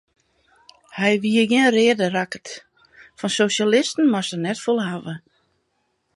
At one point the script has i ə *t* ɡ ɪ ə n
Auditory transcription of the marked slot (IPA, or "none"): none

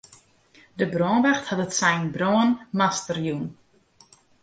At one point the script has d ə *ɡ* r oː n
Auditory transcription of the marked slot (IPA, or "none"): b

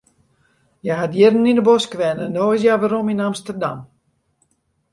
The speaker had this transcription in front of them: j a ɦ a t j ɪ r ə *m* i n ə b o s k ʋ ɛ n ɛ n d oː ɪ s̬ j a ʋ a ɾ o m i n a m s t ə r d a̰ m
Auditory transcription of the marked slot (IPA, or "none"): n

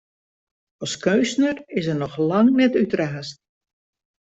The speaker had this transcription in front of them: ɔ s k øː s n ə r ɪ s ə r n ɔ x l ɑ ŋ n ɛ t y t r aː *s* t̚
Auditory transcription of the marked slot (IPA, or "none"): s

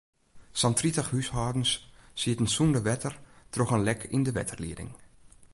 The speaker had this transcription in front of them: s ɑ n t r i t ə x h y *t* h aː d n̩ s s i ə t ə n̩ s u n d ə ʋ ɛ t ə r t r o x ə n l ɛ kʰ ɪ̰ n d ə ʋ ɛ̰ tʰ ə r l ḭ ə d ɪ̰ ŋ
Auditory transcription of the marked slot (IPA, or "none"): s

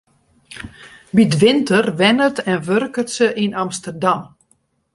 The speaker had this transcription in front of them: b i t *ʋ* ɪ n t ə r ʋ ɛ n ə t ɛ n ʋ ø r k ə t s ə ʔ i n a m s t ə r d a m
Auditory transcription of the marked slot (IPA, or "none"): ʋ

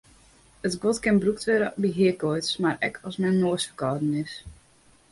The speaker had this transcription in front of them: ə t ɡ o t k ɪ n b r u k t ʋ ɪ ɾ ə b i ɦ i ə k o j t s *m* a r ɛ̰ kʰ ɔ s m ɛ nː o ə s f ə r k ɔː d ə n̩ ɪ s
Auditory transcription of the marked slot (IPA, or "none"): m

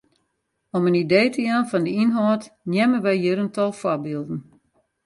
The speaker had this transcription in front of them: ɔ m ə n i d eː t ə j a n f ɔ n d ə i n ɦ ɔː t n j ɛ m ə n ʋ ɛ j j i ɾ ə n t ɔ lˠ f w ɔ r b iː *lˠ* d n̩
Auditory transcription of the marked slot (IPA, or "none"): lˠ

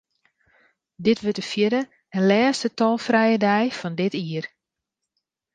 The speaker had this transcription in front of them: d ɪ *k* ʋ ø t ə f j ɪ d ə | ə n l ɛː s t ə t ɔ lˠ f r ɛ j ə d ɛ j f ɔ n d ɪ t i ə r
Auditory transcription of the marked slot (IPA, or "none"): t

